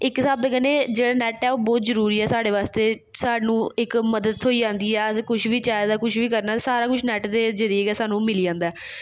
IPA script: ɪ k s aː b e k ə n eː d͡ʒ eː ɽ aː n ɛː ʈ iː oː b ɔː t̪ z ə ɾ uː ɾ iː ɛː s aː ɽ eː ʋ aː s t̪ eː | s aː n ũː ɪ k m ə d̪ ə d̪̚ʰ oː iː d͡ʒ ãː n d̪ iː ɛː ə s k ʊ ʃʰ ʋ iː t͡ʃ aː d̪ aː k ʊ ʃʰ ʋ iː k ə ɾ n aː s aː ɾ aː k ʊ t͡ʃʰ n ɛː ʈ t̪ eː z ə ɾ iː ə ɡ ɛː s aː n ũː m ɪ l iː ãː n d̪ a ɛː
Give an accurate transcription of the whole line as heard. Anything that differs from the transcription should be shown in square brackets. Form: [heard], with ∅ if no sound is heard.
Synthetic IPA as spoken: ɪ k s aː b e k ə n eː d͡ʒ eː ɽ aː n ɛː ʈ [ɛː] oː b ɔː t̪ z ə ɾ uː ɾ iː ɛː s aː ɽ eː ʋ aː s t̪ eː | s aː n ũː ɪ k m ə d̪ ə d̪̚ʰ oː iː d͡ʒ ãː n d̪ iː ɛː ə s k ʊ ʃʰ ʋ iː t͡ʃ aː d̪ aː k ʊ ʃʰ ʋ iː k ə ɾ n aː s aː ɾ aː k ʊ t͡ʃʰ n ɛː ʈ [d̪] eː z ə ɾ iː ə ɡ ɛː s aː n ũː m ɪ l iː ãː n d̪ a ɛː